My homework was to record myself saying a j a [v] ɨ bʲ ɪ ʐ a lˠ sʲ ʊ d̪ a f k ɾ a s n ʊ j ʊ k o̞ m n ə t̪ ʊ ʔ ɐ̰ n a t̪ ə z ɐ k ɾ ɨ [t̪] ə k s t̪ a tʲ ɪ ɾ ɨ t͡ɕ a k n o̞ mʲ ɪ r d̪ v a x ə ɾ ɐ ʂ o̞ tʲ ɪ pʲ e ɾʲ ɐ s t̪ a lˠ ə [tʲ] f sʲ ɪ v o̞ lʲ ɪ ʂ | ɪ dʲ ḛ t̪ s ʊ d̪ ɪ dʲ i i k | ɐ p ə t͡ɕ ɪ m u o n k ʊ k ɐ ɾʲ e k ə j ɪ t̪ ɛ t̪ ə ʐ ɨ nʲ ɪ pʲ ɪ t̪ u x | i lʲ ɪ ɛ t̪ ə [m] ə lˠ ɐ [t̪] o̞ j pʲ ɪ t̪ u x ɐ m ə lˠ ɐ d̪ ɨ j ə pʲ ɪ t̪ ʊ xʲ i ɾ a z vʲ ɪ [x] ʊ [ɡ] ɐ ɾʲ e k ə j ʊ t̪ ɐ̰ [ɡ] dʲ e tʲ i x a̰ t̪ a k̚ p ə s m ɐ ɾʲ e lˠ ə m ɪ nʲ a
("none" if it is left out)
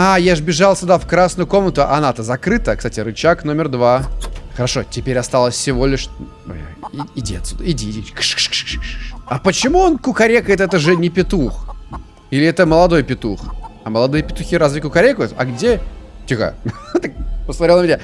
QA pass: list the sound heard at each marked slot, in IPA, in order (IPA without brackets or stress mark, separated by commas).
ʐ, t̪, sʲ, m, d̪, k, k, ɡ